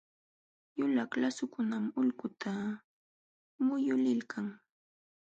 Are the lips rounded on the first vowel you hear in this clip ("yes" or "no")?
yes